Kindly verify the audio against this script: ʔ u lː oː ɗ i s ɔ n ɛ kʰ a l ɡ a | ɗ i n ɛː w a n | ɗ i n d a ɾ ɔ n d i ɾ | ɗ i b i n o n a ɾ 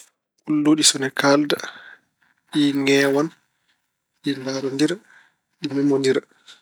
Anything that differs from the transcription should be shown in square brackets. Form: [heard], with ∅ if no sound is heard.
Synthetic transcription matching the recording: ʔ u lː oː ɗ i s ɔ n ɛ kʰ a l [d] a | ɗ i [ŋ] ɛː w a n | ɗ i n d a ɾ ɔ n d i ɾ | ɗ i [m] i [m] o n [i] ɾ